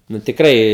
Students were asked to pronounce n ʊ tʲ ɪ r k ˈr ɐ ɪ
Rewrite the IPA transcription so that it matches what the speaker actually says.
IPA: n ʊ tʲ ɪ k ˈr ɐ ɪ